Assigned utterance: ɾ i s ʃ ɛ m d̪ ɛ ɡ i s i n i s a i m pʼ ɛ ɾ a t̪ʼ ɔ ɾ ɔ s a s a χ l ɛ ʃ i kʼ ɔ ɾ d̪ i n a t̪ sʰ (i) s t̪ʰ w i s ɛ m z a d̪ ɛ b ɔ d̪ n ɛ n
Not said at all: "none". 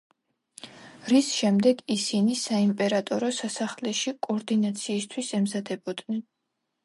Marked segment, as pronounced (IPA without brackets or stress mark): iː